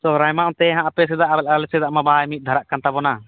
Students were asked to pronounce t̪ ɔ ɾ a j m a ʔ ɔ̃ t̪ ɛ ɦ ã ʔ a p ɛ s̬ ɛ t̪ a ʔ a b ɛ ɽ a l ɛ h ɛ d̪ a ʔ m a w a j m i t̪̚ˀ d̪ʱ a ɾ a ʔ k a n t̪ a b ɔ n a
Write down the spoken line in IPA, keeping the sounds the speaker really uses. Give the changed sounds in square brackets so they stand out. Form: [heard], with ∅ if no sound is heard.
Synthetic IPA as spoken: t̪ ɔ ɾ a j m a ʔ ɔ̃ t̪ ɛ ɦ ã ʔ a p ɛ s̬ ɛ [d̪] a ʔ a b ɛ [l] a l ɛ [s] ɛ d̪ a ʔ m a [b] a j m i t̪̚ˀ d̪ʱ a ɾ a ʔ k a n t̪ a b ɔ n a